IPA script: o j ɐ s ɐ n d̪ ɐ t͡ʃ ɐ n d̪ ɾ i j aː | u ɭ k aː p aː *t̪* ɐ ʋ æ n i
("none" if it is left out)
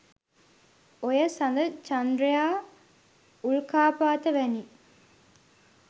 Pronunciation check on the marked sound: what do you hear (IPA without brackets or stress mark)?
t̪